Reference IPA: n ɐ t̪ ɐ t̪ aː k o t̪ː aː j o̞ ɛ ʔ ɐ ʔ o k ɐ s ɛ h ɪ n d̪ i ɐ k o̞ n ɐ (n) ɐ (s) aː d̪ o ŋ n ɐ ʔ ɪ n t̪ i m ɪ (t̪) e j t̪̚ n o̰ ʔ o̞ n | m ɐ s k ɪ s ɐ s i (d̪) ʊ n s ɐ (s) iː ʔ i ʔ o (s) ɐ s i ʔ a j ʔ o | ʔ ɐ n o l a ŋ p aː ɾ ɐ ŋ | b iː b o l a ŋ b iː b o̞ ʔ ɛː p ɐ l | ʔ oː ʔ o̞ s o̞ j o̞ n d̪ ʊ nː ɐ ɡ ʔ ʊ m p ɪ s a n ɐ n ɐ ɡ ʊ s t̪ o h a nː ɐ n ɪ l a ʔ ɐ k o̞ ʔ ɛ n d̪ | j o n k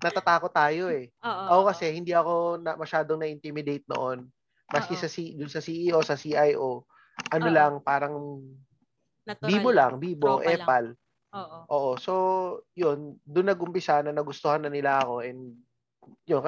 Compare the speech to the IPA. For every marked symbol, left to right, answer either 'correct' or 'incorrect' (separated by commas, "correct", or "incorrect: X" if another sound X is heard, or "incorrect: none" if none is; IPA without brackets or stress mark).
incorrect: m, incorrect: ʃ, incorrect: d̪, correct, correct, correct